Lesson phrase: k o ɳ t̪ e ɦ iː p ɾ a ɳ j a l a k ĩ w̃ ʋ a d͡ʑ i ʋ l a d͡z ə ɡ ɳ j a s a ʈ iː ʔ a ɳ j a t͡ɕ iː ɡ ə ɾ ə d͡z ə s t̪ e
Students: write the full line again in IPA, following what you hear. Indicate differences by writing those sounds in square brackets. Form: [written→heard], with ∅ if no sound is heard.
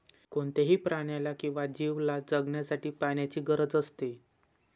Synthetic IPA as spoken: k o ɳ t̪ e ɦ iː p ɾ a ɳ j a l a k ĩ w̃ ʋ a d͡ʑ i ʋ l a d͡z ə ɡ ɳ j a s a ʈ iː [ʔ→p] a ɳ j a t͡ɕ iː ɡ ə ɾ ə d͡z ə s t̪ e